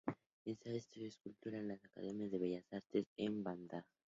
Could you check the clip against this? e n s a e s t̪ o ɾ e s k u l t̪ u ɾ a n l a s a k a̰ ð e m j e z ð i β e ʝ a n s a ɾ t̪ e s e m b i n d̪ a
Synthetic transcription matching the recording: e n s a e s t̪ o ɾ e s k u l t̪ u ɾ a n l a s a k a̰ ð e m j a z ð e β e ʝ a s a ɾ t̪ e s e m b a n d̪ a